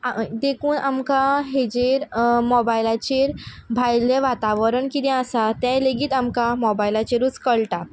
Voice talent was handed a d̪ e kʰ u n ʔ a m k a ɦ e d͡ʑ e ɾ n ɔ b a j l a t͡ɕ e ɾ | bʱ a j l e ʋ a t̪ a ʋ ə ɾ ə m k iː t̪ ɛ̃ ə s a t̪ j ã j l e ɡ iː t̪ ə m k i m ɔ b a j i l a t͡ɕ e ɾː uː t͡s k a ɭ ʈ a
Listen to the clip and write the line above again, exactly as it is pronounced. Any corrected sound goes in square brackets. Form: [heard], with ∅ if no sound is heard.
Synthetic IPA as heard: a d̪ e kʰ [uː] n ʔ a m k a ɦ e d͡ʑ e ɾ [m] ɔ b a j l a t͡ɕ e ɾ | bʱ a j l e ʋ a t̪ a ʋ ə ɾ ə [ɳ] k [i] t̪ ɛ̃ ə s a t̪ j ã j l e ɡ iː t̪ [a] m k [a] m ɔ b a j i l a t͡ɕ e [ɾ] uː t͡s k [ə] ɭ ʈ a